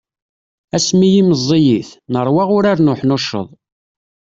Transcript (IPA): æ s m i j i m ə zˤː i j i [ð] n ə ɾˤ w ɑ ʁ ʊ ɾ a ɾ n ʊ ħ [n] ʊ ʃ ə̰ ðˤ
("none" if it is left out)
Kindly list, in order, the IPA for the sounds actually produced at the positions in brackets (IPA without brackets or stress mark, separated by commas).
θ, n